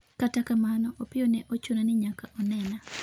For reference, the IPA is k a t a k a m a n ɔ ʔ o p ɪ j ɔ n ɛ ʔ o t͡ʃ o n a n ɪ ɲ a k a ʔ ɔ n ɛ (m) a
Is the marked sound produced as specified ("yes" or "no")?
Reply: no